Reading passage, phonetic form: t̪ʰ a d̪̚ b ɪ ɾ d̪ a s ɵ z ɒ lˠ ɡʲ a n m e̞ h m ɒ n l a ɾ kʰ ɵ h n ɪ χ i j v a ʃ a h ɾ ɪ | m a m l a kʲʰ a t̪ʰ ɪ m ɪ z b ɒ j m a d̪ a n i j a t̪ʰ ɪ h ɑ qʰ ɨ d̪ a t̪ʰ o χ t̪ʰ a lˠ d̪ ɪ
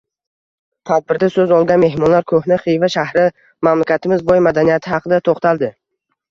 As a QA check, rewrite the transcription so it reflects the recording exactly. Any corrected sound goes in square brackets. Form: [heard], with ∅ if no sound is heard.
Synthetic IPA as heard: t̪ʰ a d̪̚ b ɪ ɾ d̪ a s ɵ z ɒ lˠ ɡʲ a n m e̞ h m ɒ n l a ɾ kʰ ɵ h n ɪ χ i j v a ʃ a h ɾ ɪ | m a m l a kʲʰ a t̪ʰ ɪ m ɪ z b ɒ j m a d̪ a n i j a t̪ʰ ɪ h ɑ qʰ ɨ d̪ a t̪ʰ o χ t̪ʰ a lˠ d̪ ɪ